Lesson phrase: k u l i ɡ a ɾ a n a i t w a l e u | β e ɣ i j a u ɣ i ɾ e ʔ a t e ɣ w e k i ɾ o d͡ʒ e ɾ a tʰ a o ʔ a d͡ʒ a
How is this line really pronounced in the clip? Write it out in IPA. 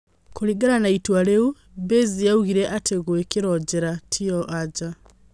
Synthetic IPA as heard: k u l i ɡ a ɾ a n a i t w a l e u | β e z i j a u ɣ i ɾ e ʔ a t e ɣ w e k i ɾ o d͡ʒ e ɾ a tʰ i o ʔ a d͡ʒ a